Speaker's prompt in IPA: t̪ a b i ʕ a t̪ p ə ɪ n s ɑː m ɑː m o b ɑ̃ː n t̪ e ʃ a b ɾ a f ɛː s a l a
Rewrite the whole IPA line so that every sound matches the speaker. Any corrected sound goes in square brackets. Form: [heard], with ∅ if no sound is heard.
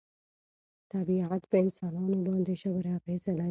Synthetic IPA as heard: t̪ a b i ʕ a t̪ p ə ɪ n s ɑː [n] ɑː [n] o b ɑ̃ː n [d̪] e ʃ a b ɾ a f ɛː s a l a